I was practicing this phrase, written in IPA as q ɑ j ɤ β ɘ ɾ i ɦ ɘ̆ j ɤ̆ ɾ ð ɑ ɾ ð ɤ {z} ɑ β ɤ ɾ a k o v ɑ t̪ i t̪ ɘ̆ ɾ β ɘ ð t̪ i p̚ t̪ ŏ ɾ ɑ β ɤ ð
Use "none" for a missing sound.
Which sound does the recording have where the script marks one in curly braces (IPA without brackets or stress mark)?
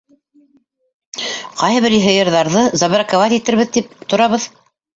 z